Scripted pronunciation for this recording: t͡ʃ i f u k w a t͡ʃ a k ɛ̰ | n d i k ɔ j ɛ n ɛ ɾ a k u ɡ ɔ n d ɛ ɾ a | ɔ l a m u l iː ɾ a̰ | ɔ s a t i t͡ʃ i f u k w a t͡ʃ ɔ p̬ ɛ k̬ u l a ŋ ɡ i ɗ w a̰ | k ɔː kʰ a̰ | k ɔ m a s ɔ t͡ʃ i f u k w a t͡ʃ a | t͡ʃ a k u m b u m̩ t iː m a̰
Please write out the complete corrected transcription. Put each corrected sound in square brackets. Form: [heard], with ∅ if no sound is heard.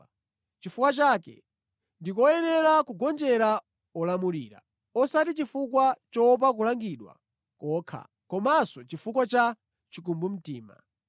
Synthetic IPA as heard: t͡ʃ i f u k w a t͡ʃ a k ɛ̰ | n d i k ɔ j ɛ n ɛ ɾ a k u ɡ ɔ n [d͡ʒ] ɛ ɾ a | ɔ l a m u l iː ɾ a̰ | ɔ s a t i t͡ʃ i f u k w a t͡ʃ ɔ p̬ [a] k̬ u l a ŋ ɡ i ɗ w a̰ | k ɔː kʰ a̰ | k ɔ m a s ɔ t͡ʃ i f u k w a t͡ʃ a | t͡ʃ [i] k u m b u m̩ t iː m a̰